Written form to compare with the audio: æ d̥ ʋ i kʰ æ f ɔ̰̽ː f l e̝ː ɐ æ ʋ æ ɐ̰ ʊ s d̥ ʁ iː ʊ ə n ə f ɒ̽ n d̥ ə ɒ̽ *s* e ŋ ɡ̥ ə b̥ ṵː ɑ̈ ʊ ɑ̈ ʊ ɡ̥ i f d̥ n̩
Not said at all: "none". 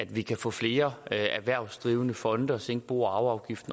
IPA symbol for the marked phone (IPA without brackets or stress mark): s